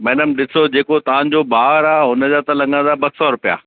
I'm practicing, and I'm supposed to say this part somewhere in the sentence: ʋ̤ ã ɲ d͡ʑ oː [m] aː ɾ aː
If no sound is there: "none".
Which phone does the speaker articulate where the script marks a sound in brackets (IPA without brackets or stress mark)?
b